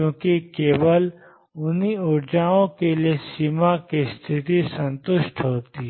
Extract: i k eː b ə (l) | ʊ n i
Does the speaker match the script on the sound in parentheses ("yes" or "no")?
yes